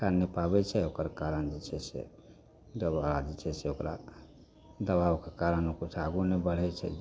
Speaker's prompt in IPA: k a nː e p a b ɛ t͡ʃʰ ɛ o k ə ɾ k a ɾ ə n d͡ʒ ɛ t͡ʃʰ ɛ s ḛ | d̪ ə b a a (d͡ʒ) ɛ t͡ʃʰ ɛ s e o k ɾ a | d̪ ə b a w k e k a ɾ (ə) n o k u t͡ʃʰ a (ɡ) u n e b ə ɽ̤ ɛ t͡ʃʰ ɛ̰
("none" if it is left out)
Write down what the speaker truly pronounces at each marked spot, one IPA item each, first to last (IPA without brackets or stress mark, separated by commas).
d͡ʒ, ə, ɡ